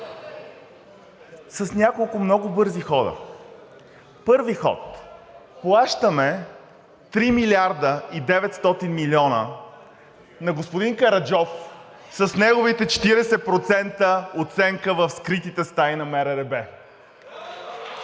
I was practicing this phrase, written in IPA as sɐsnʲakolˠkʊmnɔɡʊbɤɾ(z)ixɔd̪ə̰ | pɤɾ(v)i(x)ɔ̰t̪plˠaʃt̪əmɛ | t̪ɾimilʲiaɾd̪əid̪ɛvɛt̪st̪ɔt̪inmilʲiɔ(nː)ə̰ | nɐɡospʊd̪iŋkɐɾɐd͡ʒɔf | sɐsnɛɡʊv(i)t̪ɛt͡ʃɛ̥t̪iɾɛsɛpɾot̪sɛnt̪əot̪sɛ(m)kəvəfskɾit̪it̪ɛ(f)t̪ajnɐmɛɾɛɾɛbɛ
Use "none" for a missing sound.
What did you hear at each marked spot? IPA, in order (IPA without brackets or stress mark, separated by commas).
z, v, x, n, i, ŋ, s